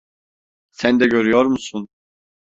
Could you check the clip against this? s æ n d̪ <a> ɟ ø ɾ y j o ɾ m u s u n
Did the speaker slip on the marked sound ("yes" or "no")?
yes